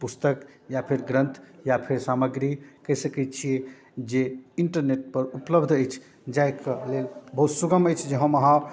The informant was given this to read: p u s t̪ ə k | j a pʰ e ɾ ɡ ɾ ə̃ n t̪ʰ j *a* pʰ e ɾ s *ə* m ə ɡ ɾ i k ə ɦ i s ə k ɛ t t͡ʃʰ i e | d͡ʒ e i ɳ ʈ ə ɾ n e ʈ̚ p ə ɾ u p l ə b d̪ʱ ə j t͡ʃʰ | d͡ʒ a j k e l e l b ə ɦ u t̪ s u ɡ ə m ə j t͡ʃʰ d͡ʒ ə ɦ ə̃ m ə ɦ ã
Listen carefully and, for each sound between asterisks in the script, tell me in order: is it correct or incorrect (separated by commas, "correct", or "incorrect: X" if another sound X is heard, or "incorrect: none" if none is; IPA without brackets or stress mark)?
correct, incorrect: a